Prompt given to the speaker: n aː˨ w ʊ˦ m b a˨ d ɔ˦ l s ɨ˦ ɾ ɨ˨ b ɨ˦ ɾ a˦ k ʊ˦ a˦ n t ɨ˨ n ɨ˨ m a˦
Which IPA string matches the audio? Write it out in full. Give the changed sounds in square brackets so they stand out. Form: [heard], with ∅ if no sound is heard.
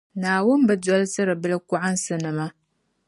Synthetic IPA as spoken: n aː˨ w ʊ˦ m b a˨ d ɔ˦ l s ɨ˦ ɾ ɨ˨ b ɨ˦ [l] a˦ k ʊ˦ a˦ n [s] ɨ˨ n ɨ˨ m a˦

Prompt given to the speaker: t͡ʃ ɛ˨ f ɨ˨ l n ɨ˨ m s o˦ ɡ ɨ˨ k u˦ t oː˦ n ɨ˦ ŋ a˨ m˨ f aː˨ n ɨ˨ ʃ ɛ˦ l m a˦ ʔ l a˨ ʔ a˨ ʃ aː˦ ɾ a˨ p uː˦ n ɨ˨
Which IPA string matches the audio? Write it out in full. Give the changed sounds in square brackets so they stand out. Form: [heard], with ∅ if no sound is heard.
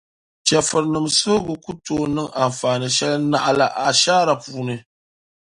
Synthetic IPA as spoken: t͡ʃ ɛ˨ f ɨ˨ [ɾ] n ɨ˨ m s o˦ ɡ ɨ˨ k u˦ t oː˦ n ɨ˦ ŋ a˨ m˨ f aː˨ n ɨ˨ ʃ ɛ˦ l [n] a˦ ʔ l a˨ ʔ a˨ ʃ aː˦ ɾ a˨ p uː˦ n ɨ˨

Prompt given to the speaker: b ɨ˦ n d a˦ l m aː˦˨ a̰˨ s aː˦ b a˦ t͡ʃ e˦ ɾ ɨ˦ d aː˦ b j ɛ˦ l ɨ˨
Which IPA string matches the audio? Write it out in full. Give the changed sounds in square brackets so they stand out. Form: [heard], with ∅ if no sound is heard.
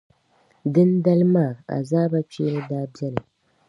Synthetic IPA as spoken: [d] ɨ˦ n d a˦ l m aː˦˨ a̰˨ [z] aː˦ b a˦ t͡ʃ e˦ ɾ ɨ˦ d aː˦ b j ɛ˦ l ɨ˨

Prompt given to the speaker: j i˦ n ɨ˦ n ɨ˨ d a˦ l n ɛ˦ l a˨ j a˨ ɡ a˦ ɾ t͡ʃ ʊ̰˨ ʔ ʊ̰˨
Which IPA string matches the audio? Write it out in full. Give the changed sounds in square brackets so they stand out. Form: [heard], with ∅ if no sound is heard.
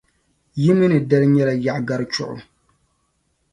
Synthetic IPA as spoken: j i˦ [m] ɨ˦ n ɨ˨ d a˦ l [ɲ] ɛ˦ l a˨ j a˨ ɡ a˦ ɾ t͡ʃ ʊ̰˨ ʔ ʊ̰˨

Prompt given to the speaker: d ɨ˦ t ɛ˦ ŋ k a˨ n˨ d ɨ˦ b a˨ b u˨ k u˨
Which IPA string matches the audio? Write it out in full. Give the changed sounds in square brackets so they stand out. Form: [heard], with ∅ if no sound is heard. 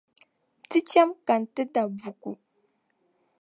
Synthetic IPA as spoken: [t] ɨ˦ [t͡ʃ] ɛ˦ [m] k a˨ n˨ [t] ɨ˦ [d] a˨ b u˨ k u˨

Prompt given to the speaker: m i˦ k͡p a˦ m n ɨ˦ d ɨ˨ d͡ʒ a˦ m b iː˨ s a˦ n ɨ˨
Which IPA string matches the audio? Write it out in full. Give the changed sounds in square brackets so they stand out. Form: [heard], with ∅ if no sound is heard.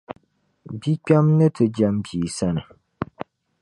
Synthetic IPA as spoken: [b] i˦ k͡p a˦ m n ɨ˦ [t] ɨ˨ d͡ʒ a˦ m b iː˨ s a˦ n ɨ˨

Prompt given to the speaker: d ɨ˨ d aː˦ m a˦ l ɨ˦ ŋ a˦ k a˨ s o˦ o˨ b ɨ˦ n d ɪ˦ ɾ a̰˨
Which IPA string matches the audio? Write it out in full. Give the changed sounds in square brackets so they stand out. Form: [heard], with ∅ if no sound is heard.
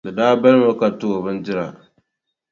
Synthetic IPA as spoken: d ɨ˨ d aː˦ [b] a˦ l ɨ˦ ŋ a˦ k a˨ [t] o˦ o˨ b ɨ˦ n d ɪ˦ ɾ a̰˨

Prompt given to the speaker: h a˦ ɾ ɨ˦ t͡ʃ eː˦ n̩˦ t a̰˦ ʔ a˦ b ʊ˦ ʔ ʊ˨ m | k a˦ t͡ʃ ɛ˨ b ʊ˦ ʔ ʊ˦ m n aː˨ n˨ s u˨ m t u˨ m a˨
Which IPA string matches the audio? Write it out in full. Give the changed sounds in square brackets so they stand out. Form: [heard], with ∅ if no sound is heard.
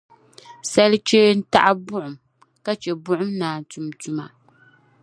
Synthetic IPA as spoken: [s] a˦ [l] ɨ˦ t͡ʃ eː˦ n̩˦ t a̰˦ ʔ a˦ b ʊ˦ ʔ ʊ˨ m | k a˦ t͡ʃ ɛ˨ b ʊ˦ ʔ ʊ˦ m n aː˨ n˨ [t] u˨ m t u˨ m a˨

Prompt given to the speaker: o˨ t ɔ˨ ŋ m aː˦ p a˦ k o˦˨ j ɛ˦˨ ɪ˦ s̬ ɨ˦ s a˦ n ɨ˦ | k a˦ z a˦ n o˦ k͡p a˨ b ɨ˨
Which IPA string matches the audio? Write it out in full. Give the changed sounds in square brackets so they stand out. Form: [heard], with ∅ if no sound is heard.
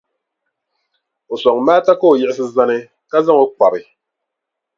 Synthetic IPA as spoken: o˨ [s] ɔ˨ ŋ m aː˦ [t] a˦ k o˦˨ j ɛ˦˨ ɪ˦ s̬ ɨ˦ [z] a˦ n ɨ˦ | k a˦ z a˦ [ŋ] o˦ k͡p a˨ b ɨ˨

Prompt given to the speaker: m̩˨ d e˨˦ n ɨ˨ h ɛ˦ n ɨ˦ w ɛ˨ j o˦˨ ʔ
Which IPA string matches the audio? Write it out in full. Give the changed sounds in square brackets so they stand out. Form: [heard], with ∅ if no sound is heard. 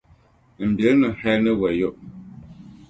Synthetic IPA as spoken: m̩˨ [b] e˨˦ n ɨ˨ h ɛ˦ n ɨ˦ w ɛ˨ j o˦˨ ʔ

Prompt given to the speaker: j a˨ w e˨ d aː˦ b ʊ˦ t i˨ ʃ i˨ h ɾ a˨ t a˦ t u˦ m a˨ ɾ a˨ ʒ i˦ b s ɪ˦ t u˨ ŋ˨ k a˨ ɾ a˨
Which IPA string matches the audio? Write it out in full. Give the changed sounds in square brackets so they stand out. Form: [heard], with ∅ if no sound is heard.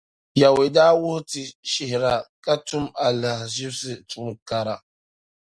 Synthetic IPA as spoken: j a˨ w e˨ d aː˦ [w] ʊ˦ t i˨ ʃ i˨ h ɾ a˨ [k] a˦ t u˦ m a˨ [l] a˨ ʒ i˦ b s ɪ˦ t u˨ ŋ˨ k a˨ ɾ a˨

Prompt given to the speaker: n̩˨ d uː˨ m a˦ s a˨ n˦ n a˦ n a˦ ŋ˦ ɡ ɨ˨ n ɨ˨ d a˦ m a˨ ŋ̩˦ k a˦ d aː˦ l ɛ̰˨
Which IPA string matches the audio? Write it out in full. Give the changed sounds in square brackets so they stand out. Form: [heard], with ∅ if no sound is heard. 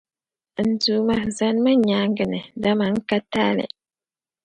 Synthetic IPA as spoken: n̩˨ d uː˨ m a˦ [z] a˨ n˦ [m] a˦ [ɲ] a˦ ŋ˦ ɡ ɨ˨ n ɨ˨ d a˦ m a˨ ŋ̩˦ k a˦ [t] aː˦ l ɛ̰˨

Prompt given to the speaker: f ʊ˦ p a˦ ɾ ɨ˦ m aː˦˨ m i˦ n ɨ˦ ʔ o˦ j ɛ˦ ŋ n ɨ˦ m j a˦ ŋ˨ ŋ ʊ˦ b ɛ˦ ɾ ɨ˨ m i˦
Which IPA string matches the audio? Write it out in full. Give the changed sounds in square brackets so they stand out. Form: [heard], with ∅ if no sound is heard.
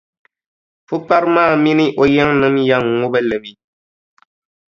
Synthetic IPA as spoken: f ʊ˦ p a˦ ɾ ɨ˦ m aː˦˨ m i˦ n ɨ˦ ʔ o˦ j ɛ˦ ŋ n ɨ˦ m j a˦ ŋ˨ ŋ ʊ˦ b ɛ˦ [l] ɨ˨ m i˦

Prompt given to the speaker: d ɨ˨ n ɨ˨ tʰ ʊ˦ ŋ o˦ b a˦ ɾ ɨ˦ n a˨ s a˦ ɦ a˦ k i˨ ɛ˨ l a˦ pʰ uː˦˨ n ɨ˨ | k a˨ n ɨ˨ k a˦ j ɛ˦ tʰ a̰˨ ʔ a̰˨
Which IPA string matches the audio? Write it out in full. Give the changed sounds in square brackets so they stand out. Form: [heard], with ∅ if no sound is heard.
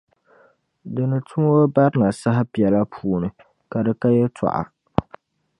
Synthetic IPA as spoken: d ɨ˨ n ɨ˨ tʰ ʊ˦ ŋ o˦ b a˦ ɾ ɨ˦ n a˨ s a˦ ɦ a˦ [p] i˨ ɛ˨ l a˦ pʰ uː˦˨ n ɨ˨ | k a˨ [d] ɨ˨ k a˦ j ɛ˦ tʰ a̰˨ ʔ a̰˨

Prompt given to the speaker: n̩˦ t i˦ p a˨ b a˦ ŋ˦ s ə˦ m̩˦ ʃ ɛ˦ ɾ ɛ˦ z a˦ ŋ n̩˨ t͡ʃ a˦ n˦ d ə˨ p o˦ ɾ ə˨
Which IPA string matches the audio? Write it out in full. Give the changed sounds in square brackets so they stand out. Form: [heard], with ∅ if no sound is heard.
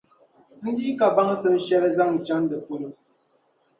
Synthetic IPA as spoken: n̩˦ [d] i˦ [k] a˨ b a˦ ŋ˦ s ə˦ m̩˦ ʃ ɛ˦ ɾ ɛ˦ z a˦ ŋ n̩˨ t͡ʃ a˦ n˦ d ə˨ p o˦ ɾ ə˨

